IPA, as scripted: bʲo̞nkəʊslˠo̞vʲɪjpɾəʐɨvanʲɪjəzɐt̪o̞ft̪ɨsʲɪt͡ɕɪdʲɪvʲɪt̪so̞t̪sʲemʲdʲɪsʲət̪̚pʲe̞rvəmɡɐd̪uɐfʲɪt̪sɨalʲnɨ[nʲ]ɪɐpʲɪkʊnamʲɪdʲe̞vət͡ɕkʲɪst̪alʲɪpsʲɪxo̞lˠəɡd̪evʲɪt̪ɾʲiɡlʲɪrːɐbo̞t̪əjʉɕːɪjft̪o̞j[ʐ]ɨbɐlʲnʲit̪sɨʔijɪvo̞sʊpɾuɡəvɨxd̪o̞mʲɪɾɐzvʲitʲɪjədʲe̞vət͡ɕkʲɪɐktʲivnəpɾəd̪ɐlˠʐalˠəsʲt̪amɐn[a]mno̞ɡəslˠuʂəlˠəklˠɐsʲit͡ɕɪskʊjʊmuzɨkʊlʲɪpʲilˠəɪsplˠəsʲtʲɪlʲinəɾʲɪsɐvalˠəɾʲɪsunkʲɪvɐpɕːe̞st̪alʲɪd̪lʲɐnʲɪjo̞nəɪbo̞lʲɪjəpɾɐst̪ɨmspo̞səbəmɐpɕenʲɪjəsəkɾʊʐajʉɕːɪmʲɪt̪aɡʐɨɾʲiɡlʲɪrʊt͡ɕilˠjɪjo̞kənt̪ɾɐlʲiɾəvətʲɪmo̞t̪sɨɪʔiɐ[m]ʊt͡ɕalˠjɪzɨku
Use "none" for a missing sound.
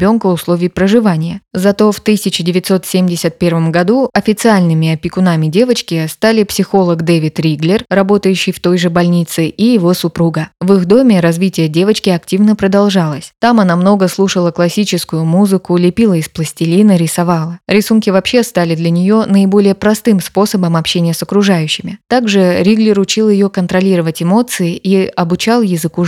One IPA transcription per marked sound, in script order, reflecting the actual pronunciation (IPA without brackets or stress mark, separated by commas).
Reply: mʲ, ʐ, a, b